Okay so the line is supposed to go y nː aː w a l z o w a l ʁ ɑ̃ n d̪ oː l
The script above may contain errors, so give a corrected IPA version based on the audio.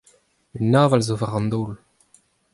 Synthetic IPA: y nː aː v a l z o v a ʁ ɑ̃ n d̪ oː l